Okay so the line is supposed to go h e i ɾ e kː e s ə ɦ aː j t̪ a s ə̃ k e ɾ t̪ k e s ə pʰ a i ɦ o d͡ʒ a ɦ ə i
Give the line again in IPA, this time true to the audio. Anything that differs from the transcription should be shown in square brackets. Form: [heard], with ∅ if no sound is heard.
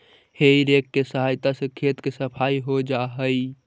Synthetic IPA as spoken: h e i ɾ e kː e s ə ɦ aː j t̪ a s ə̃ [kʰ] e [∅] t̪ k e s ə pʰ a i ɦ o d͡ʒ a ɦ ə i